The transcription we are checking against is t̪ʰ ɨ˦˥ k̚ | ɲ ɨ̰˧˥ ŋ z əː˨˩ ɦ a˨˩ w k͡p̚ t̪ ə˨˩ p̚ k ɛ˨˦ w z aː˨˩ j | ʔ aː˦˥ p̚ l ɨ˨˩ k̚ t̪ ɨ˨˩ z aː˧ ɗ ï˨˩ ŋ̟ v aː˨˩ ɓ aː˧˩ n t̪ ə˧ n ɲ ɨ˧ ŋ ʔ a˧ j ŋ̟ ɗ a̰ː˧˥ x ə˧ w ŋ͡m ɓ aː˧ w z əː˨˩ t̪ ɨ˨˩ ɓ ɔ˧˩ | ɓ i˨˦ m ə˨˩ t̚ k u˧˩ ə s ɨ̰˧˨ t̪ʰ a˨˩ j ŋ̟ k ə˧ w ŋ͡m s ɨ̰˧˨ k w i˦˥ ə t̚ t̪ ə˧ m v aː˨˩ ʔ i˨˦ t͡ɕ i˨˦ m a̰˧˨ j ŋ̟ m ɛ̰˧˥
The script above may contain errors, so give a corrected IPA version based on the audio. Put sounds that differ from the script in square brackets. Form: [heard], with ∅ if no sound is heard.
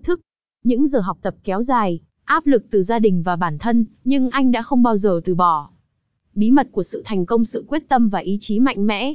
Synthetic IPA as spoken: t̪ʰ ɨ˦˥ k̚ | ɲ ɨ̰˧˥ ŋ z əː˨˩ ɦ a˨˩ w k͡p̚ t̪ ə˨˩ p̚ k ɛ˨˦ w z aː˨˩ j | ʔ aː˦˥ p̚ l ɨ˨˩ k̚ t̪ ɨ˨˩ z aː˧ ɗ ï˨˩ ŋ̟ v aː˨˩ ɓ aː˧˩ n [t̪ʰ] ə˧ n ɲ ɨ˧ ŋ ʔ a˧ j ŋ̟ ɗ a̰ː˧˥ x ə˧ w ŋ͡m ɓ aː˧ w z əː˨˩ t̪ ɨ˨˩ ɓ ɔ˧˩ | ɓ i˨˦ m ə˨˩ t̚ k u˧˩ ə s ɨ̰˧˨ t̪ʰ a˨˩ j ŋ̟ k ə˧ w ŋ͡m s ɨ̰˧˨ k w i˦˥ ə t̚ t̪ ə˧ m v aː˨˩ ʔ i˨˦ t͡ɕ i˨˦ m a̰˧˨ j ŋ̟ m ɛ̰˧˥